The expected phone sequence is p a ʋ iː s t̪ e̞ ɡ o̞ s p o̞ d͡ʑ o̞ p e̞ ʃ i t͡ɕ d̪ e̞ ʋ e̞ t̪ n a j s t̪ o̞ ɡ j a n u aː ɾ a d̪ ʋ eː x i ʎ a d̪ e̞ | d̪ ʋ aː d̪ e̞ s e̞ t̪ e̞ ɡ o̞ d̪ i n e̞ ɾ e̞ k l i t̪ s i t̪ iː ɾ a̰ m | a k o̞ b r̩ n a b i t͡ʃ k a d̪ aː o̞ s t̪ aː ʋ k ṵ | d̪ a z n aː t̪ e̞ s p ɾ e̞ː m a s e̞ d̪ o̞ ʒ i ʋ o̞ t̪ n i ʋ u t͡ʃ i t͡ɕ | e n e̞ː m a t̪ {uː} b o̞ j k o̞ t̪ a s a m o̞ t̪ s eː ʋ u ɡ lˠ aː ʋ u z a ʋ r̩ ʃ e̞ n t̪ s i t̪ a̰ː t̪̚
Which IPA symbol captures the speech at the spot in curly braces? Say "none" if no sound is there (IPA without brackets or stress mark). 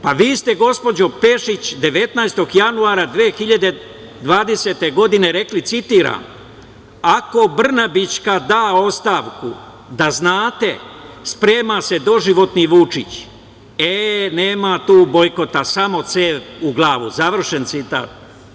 uː